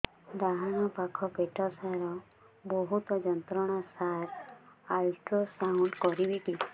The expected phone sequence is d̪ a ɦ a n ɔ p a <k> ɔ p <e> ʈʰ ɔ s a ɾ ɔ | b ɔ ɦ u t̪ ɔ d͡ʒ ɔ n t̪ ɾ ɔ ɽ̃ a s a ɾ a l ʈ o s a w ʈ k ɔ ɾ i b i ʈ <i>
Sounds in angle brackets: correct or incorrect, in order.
incorrect: kʰ, correct, correct

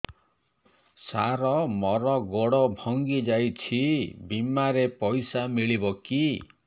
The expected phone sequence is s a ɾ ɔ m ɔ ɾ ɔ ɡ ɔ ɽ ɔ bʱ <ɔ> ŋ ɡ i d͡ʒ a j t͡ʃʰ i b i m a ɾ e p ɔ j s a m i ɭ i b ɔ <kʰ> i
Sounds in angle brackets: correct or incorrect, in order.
correct, incorrect: k

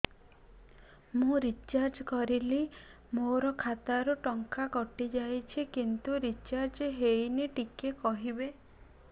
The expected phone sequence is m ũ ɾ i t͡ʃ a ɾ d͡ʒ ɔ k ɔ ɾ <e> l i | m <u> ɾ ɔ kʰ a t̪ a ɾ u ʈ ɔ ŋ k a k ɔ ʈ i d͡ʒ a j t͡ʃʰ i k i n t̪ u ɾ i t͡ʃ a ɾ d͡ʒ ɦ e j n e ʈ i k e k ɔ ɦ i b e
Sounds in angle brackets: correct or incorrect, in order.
incorrect: i, incorrect: o

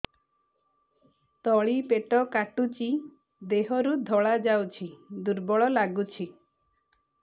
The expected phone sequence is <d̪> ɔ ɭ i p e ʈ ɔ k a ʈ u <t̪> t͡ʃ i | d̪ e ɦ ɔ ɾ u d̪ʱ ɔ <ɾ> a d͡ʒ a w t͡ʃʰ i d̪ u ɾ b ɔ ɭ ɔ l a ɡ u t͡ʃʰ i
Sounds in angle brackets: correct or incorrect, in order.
incorrect: t̪, incorrect: none, incorrect: ɭ

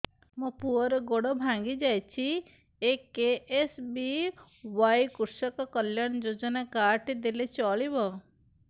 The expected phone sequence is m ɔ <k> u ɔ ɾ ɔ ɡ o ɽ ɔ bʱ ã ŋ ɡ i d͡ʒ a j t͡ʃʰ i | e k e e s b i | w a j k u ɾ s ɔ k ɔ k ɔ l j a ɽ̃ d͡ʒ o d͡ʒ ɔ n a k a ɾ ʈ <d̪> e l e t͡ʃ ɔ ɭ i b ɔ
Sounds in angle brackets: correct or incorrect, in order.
incorrect: p, correct

